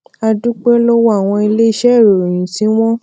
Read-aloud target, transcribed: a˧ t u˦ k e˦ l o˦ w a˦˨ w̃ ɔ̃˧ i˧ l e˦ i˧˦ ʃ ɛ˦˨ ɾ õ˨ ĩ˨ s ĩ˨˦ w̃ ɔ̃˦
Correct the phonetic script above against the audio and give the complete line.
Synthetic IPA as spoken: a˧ d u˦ k͡p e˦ l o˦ w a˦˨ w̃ ɔ̃˧ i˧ l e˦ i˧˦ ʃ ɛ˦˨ ɾ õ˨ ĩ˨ s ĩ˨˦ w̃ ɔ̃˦